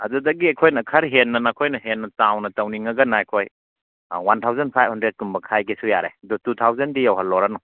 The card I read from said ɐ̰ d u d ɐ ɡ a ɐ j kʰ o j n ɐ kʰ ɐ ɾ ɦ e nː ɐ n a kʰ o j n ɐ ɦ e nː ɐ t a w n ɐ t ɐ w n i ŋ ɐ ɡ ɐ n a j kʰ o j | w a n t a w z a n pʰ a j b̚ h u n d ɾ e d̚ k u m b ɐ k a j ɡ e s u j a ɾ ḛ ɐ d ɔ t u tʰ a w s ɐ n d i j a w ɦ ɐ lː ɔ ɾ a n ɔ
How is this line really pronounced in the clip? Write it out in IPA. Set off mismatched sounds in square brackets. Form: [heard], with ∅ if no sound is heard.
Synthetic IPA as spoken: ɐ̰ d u d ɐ ɡ [i] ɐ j kʰ o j n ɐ kʰ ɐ ɾ ɦ e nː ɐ n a kʰ o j n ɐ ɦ e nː ɐ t a w n ɐ t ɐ w n i ŋ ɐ ɡ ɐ n a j kʰ o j | w a n [tʰ] a w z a n pʰ a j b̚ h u n d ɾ e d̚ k u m b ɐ [kʰ] a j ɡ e s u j a ɾ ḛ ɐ d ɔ t u tʰ a w [z] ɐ n d i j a w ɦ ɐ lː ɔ ɾ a n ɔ

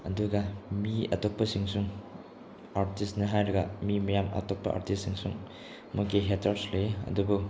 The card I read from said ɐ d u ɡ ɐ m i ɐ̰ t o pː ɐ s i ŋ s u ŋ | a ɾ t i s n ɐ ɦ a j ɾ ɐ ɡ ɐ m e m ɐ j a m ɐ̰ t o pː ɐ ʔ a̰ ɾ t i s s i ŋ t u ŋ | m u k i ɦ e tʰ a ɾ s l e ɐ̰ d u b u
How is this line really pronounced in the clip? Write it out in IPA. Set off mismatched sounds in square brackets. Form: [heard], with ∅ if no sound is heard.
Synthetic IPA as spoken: ɐ d u ɡ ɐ m i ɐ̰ t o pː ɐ s i ŋ s u ŋ | a ɾ t i s n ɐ ɦ a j ɾ ɐ ɡ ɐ m [i] m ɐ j a m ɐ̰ t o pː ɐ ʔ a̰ ɾ t i s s i ŋ [s] u ŋ | m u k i ɦ e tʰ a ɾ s l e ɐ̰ d u b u

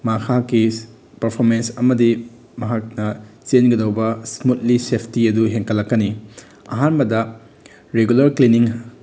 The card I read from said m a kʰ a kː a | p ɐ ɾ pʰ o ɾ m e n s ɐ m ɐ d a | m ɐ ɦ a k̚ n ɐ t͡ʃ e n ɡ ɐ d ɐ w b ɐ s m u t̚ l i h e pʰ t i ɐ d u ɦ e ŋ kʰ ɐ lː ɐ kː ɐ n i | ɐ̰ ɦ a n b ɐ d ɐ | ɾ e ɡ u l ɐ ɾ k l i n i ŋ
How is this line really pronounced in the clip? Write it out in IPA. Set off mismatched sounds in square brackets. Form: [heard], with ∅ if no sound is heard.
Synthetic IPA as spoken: m a kʰ a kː [i] | p ɐ ɾ pʰ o ɾ m e n s ɐ m ɐ d [i] | m ɐ ɦ a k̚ n ɐ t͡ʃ e n ɡ ɐ d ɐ w b ɐ s m u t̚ l i [s] e pʰ t i ɐ d u ɦ e ŋ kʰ ɐ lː ɐ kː ɐ n i | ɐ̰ ɦ a n b ɐ d ɐ | ɾ e ɡ u l ɐ ɾ k l i n i ŋ

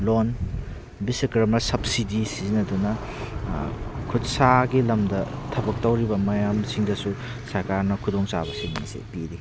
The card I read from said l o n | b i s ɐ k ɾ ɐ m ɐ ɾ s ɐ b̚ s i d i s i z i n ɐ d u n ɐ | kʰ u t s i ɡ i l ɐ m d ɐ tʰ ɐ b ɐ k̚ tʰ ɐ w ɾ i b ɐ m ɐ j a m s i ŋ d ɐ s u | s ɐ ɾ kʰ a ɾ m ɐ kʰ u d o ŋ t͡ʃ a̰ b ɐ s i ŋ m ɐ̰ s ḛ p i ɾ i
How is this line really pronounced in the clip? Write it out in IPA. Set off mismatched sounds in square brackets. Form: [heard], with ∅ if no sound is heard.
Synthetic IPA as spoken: l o n | b i s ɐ k ɾ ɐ m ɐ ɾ s ɐ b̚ s i d i s i z i n ɐ d u n ɐ | kʰ u t s [a] ɡ i l ɐ m d ɐ tʰ ɐ b ɐ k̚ [t] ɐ w ɾ i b ɐ m ɐ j a m s i ŋ d ɐ s u | s ɐ ɾ [k] a ɾ [n] ɐ kʰ u d o ŋ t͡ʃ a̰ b ɐ s i ŋ m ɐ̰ s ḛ p i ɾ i

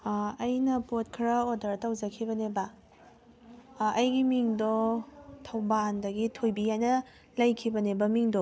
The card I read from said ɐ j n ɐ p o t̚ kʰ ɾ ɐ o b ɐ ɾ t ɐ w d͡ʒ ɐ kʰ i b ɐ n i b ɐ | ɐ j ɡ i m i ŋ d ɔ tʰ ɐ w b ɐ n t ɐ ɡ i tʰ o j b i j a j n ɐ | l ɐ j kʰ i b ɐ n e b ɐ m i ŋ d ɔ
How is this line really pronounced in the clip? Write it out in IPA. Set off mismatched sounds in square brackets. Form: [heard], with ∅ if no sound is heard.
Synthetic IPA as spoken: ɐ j n ɐ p o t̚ kʰ ɾ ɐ o [d] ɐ ɾ t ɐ w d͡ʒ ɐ kʰ i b ɐ n [e] b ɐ | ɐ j ɡ i m i ŋ d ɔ tʰ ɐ w b [a] n [d] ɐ ɡ i tʰ o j b i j a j n ɐ | l ɐ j kʰ i b ɐ n e b ɐ m i ŋ d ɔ

